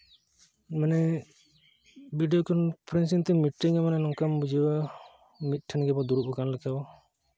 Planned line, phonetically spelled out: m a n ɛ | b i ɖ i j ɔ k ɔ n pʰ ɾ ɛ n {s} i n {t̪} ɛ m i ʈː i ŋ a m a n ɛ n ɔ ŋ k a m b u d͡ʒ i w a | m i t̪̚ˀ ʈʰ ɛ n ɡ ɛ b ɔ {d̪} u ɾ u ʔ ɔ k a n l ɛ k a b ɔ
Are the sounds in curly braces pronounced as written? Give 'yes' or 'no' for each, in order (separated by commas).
yes, yes, yes